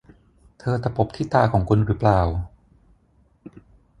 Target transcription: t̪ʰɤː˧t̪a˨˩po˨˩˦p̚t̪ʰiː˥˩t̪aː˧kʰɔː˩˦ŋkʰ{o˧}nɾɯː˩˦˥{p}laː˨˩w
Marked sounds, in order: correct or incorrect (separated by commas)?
incorrect, correct